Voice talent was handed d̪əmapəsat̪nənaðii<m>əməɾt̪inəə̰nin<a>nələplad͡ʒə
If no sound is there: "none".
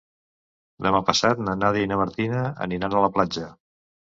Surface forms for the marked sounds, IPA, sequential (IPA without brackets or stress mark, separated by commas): n, a